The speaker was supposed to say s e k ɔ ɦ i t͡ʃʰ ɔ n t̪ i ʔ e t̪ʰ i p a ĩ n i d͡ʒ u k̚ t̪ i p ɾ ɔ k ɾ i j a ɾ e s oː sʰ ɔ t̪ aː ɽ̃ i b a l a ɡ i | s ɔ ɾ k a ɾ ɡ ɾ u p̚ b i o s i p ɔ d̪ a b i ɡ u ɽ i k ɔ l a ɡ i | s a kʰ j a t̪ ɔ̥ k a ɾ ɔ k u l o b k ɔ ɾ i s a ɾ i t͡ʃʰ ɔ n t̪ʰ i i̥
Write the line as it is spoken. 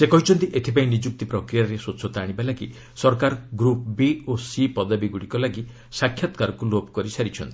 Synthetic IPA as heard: s e k ɔ ɦ i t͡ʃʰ ɔ n t̪ i ʔ e t̪ʰ i p a ĩ n i d͡ʒ u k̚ t̪ i p ɾ ɔ k ɾ i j a ɾ e s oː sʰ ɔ t̪ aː ɽ̃ i b a l a ɡ i | s ɔ ɾ k a ɾ ɡ ɾ u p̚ b i o s i p ɔ d̪ a b i ɡ u ɽ i k ɔ l a ɡ i | s a kʰ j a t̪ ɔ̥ k a ɾ ɔ k u l o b k ɔ ɾ i s a ɾ i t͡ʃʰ ɔ n t̪ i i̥